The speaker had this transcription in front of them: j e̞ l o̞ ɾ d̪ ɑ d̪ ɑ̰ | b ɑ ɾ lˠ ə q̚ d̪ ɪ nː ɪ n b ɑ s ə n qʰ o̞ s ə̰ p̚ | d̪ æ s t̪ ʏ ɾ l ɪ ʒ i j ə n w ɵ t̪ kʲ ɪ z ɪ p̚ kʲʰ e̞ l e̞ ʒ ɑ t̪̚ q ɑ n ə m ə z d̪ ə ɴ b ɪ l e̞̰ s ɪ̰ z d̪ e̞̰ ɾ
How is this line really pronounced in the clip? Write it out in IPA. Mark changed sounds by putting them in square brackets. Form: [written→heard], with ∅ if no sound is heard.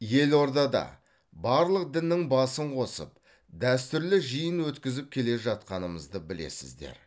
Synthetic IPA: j e̞ l o̞ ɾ d̪ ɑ d̪ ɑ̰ | b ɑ ɾ lˠ ə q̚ d̪ ɪ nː ɪ [n→ŋ] b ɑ s ə [n→ɴ] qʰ o̞ s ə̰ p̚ | d̪ æ s t̪ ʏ ɾ l ɪ ʒ i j ə n w ɵ t̪ kʲ ɪ z ɪ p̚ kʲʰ e̞ l e̞ ʒ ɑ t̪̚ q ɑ n ə m ə z d̪ ə [ɴ→∅] b ɪ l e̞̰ s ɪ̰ z d̪ e̞̰ ɾ